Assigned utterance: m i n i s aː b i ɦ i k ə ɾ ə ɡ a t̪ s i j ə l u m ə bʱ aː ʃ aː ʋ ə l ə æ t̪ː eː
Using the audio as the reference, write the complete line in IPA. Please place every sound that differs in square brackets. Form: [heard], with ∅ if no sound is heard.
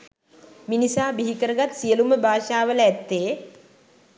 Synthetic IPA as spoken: m i n i s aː b i ɦ i k ə ɾ ə ɡ a t̪ s i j ə l u m ə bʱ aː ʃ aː ʋ ə l ə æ t̪ː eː